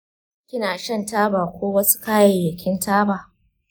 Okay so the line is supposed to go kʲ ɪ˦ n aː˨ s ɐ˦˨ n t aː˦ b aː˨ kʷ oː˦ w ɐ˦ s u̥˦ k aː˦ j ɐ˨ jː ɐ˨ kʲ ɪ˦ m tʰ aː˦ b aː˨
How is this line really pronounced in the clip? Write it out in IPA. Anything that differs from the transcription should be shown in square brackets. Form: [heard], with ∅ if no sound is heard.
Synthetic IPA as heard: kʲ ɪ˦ n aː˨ [ʃ] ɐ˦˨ n t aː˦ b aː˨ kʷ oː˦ w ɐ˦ s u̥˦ k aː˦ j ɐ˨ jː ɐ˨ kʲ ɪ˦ [n] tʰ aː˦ b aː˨